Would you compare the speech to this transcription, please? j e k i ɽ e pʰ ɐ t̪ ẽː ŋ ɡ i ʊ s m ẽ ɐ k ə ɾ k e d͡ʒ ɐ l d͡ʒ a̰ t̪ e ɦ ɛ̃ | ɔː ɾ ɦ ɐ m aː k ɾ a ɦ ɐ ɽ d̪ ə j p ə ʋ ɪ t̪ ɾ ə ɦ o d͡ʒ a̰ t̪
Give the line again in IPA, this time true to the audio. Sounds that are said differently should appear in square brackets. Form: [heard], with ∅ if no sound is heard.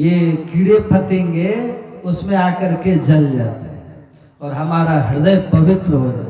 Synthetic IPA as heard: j e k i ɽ e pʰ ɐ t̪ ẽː ŋ ɡ [e] ʊ s m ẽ [a] k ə ɾ k e d͡ʒ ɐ l d͡ʒ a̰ t̪ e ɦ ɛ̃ | ɔː ɾ ɦ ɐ m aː [∅] ɾ a ɦ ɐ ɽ d̪ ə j p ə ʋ ɪ t̪ ɾ ə ɦ o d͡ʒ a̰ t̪